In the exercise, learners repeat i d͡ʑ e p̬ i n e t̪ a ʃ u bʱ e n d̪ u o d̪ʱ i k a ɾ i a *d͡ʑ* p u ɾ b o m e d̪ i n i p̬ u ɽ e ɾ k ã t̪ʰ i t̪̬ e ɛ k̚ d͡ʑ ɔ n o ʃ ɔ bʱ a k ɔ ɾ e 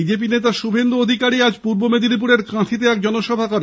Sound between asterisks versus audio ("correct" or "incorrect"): correct